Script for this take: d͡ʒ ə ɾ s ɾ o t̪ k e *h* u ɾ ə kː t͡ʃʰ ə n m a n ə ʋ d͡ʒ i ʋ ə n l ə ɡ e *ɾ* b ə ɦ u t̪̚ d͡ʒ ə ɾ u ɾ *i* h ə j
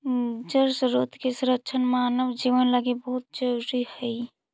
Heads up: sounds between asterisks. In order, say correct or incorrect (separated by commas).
incorrect, incorrect, correct